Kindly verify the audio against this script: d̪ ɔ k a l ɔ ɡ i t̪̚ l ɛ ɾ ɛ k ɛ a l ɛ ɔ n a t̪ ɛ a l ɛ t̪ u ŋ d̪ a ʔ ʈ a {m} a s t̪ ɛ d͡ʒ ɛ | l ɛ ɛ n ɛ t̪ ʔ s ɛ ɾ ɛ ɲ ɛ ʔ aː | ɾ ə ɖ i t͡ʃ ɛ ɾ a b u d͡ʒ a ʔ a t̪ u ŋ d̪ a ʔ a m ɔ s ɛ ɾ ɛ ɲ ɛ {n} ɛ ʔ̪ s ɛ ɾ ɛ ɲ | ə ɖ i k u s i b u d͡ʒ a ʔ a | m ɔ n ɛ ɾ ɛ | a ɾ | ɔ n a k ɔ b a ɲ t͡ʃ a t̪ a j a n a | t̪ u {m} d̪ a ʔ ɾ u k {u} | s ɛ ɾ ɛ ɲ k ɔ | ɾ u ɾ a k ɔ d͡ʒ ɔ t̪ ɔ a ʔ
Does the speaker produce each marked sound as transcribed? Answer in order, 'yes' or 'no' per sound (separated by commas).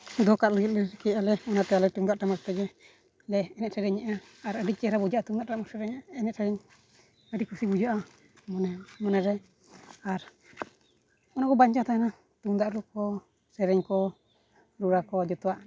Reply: yes, yes, no, no